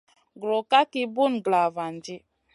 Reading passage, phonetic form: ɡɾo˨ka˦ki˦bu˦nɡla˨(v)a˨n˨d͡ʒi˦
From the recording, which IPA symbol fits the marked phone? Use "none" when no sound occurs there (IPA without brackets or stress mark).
v